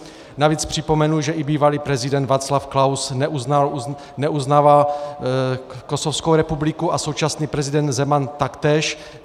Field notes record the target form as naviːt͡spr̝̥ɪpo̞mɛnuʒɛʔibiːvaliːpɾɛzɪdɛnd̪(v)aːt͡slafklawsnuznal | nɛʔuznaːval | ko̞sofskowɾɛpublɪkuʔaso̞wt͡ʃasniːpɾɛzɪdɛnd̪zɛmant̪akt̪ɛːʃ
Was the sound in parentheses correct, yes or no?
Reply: yes